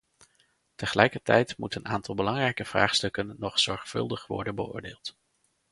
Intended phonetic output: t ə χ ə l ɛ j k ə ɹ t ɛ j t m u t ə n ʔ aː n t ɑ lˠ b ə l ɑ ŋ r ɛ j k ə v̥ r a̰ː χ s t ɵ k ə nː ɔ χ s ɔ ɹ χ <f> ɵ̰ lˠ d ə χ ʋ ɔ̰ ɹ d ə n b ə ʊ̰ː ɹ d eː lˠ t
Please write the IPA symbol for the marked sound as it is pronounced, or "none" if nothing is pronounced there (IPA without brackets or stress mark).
f